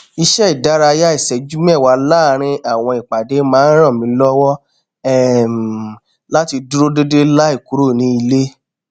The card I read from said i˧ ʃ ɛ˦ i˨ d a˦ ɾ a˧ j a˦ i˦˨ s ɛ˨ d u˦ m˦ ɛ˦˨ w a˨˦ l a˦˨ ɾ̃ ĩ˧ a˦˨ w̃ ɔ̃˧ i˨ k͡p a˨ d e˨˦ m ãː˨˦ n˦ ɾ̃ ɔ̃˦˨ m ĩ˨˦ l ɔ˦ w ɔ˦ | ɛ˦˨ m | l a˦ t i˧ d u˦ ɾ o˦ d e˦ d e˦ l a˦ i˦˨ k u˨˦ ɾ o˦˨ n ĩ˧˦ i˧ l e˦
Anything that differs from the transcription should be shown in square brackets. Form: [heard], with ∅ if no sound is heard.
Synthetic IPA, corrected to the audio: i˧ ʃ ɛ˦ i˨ d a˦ ɾ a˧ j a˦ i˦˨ s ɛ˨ [d͡ʒ] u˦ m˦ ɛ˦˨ w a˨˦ l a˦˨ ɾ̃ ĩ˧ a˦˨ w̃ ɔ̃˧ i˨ k͡p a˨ d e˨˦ m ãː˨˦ n˦ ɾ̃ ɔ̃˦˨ m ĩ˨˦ l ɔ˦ w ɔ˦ | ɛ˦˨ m | l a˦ t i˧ d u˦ ɾ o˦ d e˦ d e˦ l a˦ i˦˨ k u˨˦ ɾ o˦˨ n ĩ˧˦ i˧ l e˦

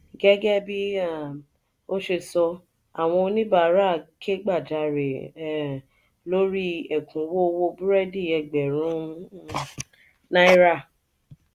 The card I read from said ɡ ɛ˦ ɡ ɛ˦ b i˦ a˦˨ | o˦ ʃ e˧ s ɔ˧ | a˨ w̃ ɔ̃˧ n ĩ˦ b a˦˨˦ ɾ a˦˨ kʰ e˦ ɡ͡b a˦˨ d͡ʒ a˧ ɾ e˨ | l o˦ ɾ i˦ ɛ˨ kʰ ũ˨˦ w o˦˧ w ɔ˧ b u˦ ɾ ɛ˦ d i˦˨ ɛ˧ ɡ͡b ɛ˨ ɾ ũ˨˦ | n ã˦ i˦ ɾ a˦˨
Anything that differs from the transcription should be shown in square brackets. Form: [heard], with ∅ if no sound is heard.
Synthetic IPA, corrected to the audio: ɡ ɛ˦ ɡ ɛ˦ b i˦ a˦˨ | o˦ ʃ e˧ s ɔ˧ | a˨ w̃ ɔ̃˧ n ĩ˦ b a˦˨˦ ɾ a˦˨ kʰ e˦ ɡ͡b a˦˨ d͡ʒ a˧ ɾ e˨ | l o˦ ɾ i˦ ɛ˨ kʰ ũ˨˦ w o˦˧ w [o˧] b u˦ ɾ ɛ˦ d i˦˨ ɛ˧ ɡ͡b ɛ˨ ɾ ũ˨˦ | n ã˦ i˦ ɾ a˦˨

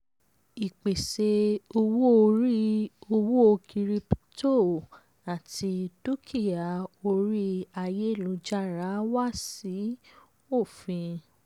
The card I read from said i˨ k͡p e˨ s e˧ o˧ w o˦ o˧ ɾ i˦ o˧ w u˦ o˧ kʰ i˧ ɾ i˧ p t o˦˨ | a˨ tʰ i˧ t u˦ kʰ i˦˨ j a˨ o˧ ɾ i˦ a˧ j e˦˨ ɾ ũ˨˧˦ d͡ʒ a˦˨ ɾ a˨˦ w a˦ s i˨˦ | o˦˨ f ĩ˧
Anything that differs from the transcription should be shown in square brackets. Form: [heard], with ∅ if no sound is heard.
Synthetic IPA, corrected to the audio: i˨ k͡p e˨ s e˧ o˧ w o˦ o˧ ɾ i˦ o˧ w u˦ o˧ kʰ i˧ ɾ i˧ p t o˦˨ | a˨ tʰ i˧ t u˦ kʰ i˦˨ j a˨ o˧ ɾ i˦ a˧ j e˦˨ [l] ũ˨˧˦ d͡ʒ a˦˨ ɾ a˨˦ w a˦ s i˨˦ | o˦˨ f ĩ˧

